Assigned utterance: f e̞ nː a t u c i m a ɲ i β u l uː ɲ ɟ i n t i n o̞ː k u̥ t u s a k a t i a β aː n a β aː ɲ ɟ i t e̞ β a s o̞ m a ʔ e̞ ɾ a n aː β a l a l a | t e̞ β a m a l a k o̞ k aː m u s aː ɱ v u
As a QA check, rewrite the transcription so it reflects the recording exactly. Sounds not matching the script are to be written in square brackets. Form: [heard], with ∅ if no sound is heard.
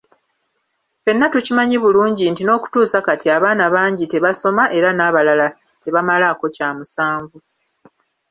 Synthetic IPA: f e̞ nː a t u c i m a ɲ i β u l uː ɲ ɟ i n t i n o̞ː k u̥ t [uː] s a k a t i a β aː n a β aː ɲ ɟ i t e̞ β a s o̞ m a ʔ e̞ ɾ a n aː β a l a l a | t e̞ β a m a l a k o̞ [c] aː m u s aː ɱ v u